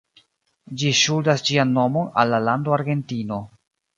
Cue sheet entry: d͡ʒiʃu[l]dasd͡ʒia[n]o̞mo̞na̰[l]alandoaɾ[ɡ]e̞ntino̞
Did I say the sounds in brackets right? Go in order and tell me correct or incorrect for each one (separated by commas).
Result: correct, incorrect, incorrect, correct